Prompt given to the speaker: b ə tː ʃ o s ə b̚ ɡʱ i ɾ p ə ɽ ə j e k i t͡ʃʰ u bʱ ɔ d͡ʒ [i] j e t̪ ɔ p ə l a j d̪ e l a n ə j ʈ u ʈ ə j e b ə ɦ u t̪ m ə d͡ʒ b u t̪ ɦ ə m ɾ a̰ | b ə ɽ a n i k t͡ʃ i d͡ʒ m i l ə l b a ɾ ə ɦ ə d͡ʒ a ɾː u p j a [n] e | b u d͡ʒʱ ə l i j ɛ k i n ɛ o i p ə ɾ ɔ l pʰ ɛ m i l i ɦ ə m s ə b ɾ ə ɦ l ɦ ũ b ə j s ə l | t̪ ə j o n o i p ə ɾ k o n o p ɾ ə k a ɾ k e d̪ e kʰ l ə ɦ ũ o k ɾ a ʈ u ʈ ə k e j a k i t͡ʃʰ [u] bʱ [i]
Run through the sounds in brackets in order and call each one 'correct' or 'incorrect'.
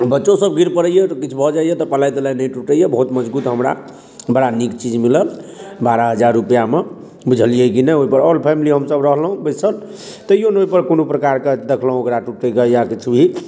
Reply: incorrect: a, incorrect: m, correct, correct

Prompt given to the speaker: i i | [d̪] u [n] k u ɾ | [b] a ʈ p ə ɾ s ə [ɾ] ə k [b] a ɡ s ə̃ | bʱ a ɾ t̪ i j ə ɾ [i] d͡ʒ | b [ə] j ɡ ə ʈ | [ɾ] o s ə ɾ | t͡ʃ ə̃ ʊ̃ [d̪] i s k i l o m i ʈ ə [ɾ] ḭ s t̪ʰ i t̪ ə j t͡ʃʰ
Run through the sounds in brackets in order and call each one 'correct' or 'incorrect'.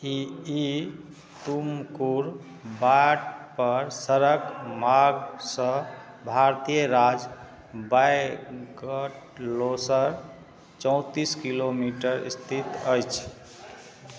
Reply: incorrect: t̪, incorrect: m, correct, correct, incorrect: m, incorrect: a, incorrect: a, incorrect: l, incorrect: t̪, correct

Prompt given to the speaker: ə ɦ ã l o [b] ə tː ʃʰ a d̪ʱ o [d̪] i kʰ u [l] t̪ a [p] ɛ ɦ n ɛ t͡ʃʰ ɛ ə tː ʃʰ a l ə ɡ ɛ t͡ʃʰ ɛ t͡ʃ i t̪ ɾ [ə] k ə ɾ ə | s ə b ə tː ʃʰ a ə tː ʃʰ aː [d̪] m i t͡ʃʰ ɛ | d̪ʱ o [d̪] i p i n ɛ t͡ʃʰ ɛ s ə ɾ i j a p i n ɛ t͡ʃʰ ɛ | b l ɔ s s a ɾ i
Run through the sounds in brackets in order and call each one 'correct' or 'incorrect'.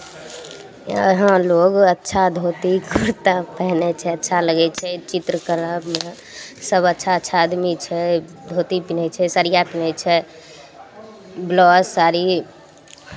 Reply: incorrect: ɡ, incorrect: t̪, incorrect: ɾ, correct, correct, correct, incorrect: t̪

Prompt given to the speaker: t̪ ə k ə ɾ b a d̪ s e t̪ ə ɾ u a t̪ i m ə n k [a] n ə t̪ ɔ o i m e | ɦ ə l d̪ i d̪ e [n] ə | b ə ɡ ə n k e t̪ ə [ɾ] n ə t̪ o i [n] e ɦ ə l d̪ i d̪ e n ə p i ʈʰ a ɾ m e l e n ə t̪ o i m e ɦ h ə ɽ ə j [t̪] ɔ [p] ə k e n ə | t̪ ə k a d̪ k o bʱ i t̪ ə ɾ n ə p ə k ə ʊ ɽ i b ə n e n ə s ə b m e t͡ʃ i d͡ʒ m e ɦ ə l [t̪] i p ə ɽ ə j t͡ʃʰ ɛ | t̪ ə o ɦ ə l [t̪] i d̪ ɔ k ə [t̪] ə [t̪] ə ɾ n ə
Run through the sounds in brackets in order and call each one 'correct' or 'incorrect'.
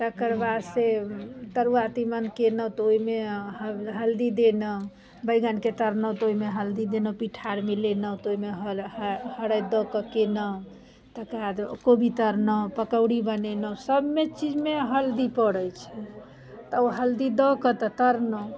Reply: incorrect: e, correct, correct, incorrect: m, incorrect: d̪, incorrect: k, incorrect: d̪, incorrect: d̪, correct, correct

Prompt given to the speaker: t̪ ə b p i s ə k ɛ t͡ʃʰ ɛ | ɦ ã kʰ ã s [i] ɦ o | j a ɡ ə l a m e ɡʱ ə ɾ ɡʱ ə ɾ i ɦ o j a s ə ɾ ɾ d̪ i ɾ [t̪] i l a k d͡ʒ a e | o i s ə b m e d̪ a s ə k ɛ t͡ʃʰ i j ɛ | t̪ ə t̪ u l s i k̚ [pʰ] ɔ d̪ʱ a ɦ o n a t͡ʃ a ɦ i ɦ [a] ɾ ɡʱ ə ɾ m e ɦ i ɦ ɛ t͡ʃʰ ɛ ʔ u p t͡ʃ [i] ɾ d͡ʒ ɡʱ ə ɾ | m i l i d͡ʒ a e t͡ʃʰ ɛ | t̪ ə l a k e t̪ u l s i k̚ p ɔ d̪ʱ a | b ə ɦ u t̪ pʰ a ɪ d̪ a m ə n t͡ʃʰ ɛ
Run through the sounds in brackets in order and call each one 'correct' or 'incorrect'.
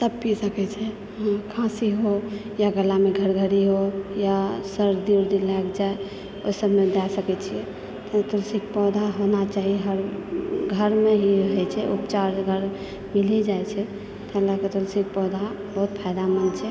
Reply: correct, incorrect: d̪, incorrect: p, incorrect: ə, incorrect: a

